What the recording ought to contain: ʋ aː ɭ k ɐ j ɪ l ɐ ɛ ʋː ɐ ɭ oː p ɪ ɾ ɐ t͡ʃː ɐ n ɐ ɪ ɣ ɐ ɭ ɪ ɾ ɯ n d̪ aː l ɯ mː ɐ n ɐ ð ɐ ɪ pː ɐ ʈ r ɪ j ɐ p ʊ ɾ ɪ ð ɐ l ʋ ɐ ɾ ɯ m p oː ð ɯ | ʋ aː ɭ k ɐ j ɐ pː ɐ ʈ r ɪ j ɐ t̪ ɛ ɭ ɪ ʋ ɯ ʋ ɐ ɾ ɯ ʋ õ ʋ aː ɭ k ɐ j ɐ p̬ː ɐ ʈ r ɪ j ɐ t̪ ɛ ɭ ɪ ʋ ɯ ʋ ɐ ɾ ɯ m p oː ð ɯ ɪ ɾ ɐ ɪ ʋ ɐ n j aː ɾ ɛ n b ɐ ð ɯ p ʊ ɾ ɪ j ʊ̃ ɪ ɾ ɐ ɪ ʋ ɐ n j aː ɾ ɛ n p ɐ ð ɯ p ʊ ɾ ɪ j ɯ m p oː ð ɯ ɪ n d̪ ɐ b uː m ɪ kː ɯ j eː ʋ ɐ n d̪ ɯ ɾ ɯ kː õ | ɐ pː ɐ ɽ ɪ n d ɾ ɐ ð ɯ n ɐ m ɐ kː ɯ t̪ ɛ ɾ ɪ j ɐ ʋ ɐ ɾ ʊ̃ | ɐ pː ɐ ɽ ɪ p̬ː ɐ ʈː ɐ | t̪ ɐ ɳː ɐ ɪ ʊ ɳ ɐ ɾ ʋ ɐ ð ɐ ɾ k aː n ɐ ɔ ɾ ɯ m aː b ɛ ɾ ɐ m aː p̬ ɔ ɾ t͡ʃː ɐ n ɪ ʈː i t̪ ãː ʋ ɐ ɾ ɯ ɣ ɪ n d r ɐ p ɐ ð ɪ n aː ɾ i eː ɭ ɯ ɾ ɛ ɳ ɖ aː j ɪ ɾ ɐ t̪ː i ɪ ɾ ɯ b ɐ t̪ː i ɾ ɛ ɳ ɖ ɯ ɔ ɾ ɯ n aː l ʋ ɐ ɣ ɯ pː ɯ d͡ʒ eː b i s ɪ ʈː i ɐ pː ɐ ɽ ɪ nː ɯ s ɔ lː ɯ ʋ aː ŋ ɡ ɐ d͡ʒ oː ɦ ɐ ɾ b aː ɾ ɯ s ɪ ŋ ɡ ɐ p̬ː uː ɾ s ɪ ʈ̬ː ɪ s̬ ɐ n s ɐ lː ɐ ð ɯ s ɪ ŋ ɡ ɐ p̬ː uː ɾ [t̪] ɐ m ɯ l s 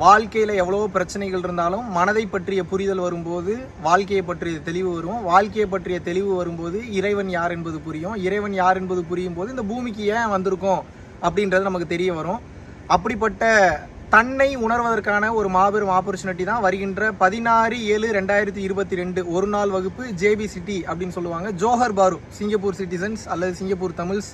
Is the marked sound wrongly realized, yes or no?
no